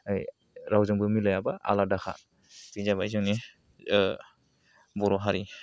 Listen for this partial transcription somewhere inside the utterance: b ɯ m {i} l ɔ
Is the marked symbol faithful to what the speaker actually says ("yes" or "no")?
yes